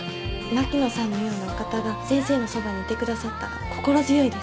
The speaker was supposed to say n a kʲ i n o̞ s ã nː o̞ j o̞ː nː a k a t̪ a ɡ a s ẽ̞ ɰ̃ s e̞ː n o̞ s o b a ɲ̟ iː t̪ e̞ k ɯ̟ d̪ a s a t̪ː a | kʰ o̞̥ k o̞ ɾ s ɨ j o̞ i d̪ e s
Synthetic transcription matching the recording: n a kʲ i n o̞ s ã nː o̞ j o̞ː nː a k a t̪ a ɡ a s ẽ̞ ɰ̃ s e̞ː n o̞ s o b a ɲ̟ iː t̪ e̞ k ɯ̟ d̪ a s a t̪ː a | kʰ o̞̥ k o̞ ɾ z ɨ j o̞ i d̪ e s